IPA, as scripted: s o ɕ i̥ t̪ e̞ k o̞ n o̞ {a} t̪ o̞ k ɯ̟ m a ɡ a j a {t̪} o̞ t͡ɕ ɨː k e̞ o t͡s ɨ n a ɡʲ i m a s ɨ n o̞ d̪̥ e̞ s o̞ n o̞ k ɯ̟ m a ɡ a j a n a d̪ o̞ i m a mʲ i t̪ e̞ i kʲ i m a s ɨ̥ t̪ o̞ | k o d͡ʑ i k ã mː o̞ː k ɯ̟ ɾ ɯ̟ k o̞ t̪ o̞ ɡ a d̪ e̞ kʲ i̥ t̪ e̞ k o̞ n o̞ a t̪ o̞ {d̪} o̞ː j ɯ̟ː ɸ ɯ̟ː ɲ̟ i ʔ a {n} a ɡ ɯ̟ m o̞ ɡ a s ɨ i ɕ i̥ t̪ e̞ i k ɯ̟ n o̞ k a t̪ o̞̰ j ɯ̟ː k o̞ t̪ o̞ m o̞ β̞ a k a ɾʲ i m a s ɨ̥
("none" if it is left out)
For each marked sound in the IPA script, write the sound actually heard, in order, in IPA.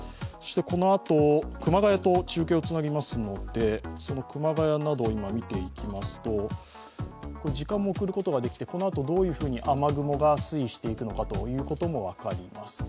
a, t̪, d̪, m

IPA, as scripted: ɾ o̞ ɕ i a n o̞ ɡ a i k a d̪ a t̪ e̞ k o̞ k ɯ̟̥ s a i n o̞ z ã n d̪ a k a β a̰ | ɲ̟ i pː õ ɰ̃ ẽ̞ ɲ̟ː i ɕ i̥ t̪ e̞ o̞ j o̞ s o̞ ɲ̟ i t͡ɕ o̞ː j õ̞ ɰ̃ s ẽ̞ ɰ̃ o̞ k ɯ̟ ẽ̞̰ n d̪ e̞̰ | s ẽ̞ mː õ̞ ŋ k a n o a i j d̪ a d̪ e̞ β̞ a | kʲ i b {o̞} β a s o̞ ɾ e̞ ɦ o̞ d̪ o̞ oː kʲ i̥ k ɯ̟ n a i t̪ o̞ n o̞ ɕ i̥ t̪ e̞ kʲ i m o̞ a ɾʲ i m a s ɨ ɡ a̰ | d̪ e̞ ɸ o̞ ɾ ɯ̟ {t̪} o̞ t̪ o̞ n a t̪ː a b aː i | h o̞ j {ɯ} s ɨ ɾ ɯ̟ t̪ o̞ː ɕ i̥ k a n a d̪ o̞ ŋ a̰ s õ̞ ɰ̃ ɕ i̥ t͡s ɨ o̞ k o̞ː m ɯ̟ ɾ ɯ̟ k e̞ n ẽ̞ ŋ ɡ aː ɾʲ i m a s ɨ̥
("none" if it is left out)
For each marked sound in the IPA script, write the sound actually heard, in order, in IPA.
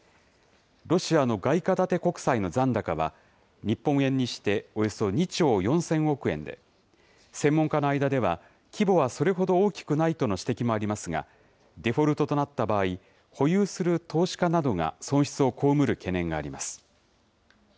o̞, t̪, ɯː

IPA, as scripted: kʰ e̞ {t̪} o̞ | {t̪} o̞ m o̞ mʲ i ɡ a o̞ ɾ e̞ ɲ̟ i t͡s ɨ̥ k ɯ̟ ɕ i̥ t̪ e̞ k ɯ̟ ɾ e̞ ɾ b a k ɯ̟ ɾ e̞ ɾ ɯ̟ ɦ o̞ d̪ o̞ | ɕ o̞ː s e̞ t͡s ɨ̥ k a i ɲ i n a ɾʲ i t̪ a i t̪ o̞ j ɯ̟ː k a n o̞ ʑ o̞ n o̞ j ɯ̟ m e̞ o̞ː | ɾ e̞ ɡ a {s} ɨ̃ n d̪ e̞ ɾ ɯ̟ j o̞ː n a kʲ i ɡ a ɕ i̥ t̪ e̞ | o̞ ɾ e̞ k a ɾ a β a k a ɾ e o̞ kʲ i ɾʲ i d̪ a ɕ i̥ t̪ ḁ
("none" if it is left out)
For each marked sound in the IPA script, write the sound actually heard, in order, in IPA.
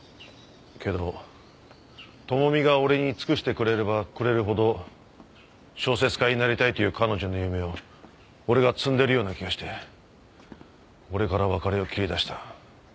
d̪, t̪, t͡s

